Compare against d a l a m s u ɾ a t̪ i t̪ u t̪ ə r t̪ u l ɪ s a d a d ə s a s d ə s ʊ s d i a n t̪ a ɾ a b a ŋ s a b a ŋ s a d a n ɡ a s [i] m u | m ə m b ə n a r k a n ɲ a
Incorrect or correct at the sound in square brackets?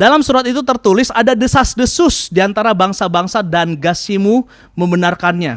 correct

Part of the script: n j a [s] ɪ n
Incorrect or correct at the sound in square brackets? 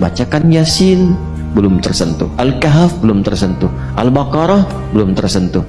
correct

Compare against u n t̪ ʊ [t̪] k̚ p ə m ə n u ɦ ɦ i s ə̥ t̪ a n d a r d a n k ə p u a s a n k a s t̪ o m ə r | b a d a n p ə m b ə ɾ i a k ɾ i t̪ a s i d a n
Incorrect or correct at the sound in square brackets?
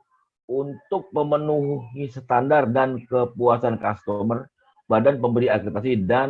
incorrect: none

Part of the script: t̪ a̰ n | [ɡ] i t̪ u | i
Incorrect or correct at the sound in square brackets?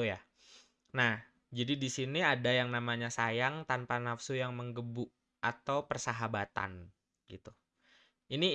correct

